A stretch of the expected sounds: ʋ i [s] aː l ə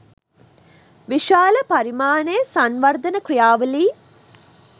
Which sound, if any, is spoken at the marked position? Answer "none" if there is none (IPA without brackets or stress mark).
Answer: ʃ